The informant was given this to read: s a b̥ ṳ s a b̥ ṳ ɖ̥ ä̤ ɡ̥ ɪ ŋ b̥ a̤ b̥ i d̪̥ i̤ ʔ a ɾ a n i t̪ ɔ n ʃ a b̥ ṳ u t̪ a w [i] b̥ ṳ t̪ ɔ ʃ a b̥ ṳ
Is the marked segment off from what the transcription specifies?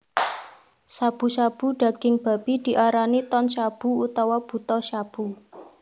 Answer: yes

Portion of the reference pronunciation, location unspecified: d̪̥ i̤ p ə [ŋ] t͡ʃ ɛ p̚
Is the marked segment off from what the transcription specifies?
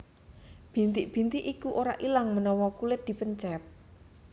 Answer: yes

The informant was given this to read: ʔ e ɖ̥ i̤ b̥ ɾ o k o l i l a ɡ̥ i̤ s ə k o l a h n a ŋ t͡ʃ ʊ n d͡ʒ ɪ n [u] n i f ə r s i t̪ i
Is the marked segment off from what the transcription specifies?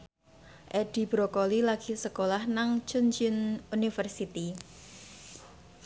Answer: no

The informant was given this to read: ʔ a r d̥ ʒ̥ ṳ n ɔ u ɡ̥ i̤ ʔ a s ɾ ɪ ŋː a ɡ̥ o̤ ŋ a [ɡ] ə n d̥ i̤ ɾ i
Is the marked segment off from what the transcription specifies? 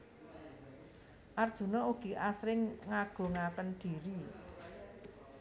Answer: yes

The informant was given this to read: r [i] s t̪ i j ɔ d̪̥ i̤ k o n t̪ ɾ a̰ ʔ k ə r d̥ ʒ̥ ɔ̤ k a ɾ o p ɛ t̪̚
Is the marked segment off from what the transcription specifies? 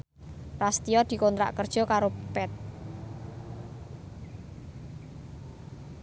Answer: yes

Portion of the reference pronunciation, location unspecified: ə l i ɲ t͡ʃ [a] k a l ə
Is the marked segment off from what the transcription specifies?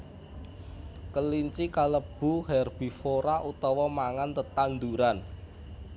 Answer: yes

